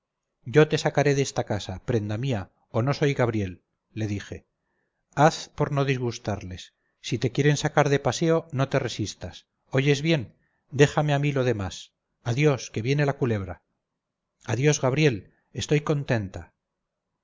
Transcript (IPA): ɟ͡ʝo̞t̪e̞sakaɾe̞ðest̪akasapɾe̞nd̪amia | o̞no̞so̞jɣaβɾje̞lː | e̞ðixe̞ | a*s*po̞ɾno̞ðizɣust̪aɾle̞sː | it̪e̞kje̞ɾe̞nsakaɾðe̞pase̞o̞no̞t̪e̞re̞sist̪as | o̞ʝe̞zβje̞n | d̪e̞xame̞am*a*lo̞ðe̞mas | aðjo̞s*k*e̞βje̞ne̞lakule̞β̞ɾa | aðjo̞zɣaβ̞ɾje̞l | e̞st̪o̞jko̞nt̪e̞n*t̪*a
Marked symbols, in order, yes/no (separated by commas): no, no, yes, yes